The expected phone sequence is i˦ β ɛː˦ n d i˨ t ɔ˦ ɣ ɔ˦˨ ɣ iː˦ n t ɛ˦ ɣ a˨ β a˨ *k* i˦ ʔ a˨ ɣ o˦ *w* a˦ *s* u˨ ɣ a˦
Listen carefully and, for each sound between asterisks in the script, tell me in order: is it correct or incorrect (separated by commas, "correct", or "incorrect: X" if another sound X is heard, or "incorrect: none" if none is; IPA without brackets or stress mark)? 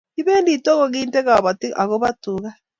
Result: incorrect: t, incorrect: β, incorrect: t